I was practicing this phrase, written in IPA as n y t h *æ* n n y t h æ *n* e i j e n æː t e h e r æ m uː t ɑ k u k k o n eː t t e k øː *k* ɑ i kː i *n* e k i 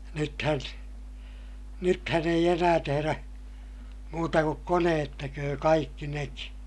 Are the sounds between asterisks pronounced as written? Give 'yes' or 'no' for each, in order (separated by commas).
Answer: yes, yes, yes, yes